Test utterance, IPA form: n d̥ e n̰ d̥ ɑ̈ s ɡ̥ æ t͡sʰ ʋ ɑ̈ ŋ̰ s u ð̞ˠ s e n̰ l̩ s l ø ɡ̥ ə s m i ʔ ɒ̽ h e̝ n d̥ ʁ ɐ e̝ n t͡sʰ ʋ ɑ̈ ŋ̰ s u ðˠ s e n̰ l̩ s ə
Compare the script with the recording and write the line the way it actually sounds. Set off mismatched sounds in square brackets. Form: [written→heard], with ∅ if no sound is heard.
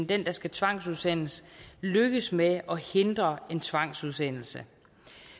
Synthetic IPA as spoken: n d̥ e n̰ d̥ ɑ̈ s ɡ̥ æ t͡sʰ ʋ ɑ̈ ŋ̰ s u ð̞ˠ s e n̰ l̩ s l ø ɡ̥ ə s m [i→e] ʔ ɒ̽ h e̝ n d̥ ʁ ɐ e̝ n t͡sʰ ʋ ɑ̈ ŋ̰ s u ðˠ s e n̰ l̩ s ə